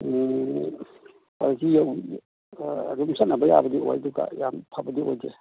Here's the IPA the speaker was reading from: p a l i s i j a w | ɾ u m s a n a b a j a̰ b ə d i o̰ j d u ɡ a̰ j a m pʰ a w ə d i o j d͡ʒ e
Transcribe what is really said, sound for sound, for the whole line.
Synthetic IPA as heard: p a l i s i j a w | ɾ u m s a n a b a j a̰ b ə d i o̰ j d u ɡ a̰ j a m pʰ a b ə d i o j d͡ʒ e